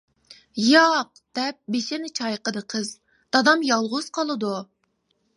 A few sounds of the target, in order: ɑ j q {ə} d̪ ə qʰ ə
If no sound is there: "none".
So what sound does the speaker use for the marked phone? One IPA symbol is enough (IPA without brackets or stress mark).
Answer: ə